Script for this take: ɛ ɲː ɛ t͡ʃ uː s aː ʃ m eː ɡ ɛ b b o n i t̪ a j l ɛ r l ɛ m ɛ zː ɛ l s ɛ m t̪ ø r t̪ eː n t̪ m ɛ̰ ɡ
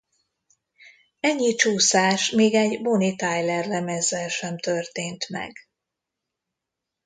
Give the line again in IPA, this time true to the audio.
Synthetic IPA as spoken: ɛ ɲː i t͡ʃ uː s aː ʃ m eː ɡ ɛ ɟ b o n i t̪ a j l ɛ r l ɛ m ɛ zː ɛ l ʃ ɛ m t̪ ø r t̪ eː n t̪ m ɛ̰ ɡ